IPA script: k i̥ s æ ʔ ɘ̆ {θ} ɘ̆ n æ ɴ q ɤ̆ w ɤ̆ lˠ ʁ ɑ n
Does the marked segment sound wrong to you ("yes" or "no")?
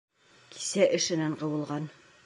yes